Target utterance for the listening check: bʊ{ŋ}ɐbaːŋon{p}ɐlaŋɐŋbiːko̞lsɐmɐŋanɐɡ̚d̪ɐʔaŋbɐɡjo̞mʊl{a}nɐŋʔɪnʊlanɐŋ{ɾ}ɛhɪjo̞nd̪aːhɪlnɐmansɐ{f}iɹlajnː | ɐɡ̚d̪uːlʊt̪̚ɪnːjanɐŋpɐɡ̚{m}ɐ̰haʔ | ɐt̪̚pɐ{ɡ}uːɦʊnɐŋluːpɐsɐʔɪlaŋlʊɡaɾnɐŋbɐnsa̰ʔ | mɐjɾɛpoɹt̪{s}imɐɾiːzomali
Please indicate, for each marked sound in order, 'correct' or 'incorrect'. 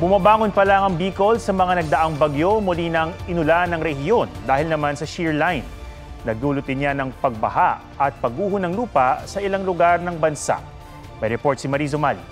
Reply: incorrect: m, correct, incorrect: i, correct, incorrect: ʃ, incorrect: b, correct, correct

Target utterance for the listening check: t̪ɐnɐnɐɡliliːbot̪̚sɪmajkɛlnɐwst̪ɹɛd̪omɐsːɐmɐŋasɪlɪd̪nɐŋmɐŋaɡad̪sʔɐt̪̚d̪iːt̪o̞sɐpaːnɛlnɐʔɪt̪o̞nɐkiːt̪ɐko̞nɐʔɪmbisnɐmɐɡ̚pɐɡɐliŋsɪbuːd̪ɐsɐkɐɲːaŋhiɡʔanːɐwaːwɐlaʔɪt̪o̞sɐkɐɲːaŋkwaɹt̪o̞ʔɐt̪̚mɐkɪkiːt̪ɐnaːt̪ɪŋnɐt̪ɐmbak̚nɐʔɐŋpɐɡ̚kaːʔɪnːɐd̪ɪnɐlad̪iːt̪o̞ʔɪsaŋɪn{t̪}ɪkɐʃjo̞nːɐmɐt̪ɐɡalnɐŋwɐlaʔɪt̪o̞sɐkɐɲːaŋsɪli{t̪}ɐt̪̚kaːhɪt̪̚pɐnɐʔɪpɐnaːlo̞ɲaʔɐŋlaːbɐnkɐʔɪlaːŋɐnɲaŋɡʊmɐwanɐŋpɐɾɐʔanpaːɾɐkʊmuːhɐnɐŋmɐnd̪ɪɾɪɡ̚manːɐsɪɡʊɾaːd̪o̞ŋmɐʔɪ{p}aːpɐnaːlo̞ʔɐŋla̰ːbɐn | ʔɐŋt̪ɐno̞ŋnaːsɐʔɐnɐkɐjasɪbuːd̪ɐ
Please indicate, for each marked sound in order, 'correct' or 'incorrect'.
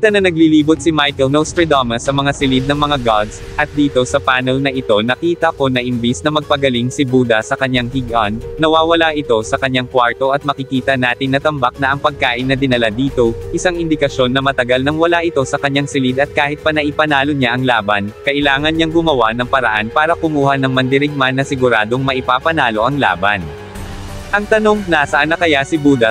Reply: incorrect: d̪, incorrect: d̪, correct

